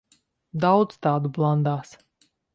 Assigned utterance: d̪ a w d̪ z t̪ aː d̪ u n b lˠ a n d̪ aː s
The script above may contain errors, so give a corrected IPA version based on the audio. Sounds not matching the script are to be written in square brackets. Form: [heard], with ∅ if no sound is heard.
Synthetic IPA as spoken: d̪ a w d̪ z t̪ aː d̪ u [∅] b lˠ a n d̪ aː s